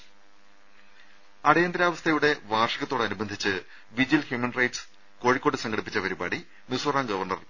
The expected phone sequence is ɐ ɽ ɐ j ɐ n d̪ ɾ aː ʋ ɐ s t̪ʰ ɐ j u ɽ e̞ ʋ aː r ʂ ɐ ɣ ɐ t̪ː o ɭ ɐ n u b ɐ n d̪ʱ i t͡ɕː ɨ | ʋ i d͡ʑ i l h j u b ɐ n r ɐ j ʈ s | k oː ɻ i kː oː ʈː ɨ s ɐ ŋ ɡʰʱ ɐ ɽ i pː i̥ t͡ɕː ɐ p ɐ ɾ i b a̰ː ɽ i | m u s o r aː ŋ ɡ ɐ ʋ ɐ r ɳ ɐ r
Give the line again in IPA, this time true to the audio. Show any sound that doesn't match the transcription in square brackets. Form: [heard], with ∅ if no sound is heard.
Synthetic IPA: ɐ ɽ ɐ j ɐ n d̪ ɾ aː ʋ ɐ s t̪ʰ ɐ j u ɽ e̞ ʋ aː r ʂ ɐ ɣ ɐ t̪ː o [ɽ] ɐ n u b ɐ n d̪ʱ i t͡ɕː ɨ | ʋ i d͡ʑ i l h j u [m] ɐ n r ɐ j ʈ s | k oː ɻ i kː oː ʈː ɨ s ɐ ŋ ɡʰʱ ɐ ɽ i pː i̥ t͡ɕː ɐ p ɐ ɾ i b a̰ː ɽ i | m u s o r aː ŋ ɡ ɐ ʋ ɐ r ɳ ɐ r

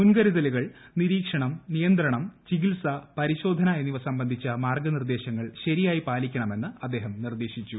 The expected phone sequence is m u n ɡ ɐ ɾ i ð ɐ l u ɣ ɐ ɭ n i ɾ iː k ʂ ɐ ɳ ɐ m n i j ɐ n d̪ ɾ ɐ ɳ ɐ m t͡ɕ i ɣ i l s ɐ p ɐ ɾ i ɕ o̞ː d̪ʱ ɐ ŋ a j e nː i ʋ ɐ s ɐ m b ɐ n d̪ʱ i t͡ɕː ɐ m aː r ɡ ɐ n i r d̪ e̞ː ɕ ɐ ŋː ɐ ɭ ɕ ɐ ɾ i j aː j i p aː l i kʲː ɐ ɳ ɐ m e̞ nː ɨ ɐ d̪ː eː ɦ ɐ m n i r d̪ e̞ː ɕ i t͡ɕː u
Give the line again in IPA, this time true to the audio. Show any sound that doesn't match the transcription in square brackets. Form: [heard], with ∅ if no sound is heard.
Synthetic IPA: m u n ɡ ɐ ɾ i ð ɐ l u ɣ ɐ ɭ n i ɾ iː k ʂ ɐ ɳ ɐ m n i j ɐ n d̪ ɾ ɐ ɳ ɐ m t͡ɕ i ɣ i l s ɐ p ɐ ɾ i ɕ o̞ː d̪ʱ ɐ [n] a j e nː i ʋ ɐ s ɐ m b ɐ n d̪ʱ i t͡ɕː ɐ m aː r ɡ ɐ n i r d̪ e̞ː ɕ ɐ ŋː ɐ ɭ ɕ ɐ ɾ i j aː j i p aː l i kʲː ɐ ɳ ɐ m e̞ nː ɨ ɐ d̪ː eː ɦ ɐ m n i r d̪ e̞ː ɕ i t͡ɕː u

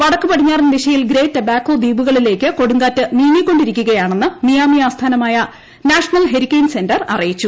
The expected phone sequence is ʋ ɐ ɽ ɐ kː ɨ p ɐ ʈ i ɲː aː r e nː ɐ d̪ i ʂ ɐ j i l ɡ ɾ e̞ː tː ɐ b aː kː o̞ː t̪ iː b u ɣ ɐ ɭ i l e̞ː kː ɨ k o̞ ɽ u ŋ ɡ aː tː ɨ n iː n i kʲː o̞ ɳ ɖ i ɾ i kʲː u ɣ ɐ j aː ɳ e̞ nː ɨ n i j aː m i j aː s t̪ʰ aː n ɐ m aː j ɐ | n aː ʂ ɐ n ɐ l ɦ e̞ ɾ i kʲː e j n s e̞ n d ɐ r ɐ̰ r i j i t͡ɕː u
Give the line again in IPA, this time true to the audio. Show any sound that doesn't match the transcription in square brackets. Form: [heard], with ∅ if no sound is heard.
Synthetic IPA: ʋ ɐ ɽ ɐ kː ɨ p ɐ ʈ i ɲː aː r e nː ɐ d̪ i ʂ ɐ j i l ɡ ɾ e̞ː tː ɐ b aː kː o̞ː [d̪] iː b u ɣ ɐ ɭ i l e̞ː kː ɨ k o̞ ɽ u ŋ ɡ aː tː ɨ n iː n i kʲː o̞ ɳ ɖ i ɾ i kʲː u ɣ ɐ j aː ɳ e̞ nː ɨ n i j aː m i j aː s t̪ʰ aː n ɐ m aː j ɐ | n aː ʂ ɐ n ɐ l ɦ e̞ ɾ i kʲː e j n s e̞ n d ɐ r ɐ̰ r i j i t͡ɕː u

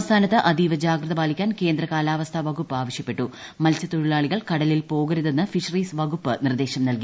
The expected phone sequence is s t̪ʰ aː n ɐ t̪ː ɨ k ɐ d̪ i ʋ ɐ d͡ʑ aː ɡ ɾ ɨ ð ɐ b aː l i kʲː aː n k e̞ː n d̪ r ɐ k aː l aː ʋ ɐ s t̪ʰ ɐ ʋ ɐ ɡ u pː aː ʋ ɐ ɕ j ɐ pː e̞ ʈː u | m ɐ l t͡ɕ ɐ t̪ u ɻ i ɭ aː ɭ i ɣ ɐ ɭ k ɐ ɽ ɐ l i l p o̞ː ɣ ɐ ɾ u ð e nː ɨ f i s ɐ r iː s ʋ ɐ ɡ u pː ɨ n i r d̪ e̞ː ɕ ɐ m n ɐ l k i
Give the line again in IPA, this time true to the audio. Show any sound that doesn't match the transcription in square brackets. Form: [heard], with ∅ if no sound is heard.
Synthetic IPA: s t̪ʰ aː n ɐ t̪ː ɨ [ʔ] ɐ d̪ i ʋ ɐ d͡ʑ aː ɡ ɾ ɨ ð ɐ b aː l i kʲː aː n k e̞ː n d̪ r ɐ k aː l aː ʋ ɐ s t̪ʰ ɐ ʋ ɐ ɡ u pː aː ʋ ɐ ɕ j ɐ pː e̞ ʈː u | m ɐ l t͡ɕ ɐ t̪ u ɻ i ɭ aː ɭ i ɣ ɐ ɭ k ɐ ɽ ɐ l i l p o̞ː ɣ ɐ ɾ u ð e nː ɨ f i [ʂ] ɐ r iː s ʋ ɐ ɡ u pː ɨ n i r d̪ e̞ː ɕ ɐ m n ɐ l k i

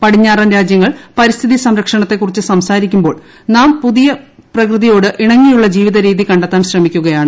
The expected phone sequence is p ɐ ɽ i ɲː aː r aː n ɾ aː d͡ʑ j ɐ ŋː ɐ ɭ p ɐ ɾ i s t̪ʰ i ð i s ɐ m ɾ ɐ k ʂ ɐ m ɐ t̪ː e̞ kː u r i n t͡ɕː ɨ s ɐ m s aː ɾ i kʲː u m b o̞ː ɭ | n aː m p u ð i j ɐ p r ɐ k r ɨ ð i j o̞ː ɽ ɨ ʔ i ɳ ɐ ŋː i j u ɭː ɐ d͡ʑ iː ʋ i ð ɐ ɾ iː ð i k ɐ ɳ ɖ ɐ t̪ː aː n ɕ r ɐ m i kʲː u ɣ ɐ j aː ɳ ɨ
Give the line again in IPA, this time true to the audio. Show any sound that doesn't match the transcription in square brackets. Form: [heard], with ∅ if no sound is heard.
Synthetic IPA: p ɐ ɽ i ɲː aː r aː n ɾ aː d͡ʑ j ɐ ŋː ɐ ɭ p ɐ ɾ i s t̪ʰ i ð i s ɐ m ɾ ɐ k ʂ ɐ [ɳ] ɐ t̪ː e̞ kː u r i [∅] t͡ɕː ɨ s ɐ m s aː ɾ i kʲː u m b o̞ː ɭ | n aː m p u ð i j ɐ p r ɐ k r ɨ ð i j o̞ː ɽ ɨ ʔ i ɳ ɐ ŋː i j u ɭː ɐ d͡ʑ iː ʋ i ð ɐ ɾ iː ð i k ɐ ɳ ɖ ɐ t̪ː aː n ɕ r ɐ m i kʲː u ɣ ɐ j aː ɳ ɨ

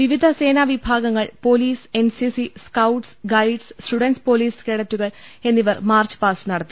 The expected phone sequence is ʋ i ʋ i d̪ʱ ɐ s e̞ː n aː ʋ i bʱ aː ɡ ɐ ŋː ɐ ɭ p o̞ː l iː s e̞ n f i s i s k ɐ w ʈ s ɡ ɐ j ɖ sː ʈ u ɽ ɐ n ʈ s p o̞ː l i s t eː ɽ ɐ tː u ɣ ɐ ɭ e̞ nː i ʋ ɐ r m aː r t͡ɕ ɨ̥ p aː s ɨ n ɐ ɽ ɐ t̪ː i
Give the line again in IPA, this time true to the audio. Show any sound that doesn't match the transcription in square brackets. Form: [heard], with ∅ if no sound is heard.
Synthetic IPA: ʋ i ʋ i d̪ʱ ɐ s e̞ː n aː ʋ i bʱ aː ɡ ɐ ŋː ɐ ɭ p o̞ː l iː s e̞ n [s] i s i s k ɐ w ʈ s ɡ ɐ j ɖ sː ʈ u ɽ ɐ n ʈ s p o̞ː l [iː] s [k] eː ɽ ɐ tː u ɣ ɐ ɭ e̞ nː i ʋ ɐ r m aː r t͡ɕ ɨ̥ p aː s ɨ n ɐ ɽ ɐ t̪ː i

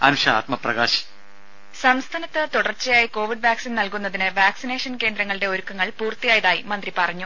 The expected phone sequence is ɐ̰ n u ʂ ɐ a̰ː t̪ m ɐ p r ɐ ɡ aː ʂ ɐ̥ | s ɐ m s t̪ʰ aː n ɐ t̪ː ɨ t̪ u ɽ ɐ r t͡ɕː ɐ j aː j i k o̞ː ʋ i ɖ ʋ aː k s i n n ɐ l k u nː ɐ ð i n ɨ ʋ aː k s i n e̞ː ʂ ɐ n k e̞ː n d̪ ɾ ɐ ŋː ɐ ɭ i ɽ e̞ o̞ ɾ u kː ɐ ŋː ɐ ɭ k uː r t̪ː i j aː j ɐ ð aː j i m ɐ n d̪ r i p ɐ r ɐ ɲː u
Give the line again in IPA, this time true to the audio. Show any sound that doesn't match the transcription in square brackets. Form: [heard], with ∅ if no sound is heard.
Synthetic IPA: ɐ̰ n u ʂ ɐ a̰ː t̪ m ɐ p r ɐ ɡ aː [ɕ] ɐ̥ | s ɐ m s t̪ʰ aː n ɐ t̪ː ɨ t̪ u ɽ ɐ r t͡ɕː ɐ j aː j i k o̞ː ʋ i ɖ ʋ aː k s i n n ɐ l k u nː ɐ ð i n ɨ ʋ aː k s i n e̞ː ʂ ɐ n k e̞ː n d̪ ɾ ɐ ŋː ɐ ɭ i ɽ e̞ o̞ ɾ u kː ɐ ŋː ɐ ɭ [p] uː r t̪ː i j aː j ɐ ð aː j i m ɐ n d̪ r i p ɐ r ɐ ɲː u

